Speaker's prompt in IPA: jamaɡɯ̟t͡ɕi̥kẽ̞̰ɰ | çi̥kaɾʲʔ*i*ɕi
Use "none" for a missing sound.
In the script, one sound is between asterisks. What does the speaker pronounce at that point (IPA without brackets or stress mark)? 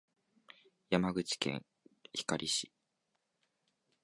i